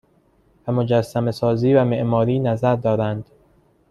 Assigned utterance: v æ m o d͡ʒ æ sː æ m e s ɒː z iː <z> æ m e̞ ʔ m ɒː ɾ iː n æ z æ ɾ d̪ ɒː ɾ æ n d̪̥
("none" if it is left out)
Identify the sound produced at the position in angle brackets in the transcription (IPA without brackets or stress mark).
v